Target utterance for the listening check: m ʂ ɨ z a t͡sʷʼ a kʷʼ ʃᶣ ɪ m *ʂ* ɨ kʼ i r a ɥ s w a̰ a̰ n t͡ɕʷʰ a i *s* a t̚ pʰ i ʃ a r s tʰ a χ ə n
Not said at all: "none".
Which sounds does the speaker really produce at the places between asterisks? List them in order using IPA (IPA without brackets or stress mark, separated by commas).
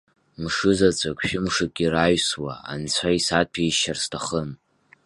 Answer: ʂ, s